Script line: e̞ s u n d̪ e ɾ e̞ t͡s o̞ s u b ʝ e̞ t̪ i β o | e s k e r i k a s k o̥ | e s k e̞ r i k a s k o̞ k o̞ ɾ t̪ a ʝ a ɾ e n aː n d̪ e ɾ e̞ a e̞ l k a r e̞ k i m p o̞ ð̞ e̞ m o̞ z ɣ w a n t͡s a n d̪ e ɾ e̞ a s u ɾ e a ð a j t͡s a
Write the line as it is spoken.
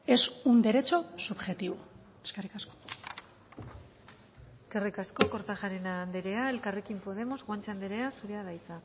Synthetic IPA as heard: e̞ s u n d̪ e ɾ e̞ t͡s o̞ s u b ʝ e̞ t̪ i β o | e s k e r i k a s k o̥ | e s k e̞ r i k a s k o̞ k o̞ ɾ t̪ a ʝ a ɾ e n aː n d̪ e ɾ e̞ a e̞ l k a r e̞ k i m p o̞ ð̞ e̞ m o̞ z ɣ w a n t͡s a n d̪ e ɾ e̞ a s u ɾ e a ð a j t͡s a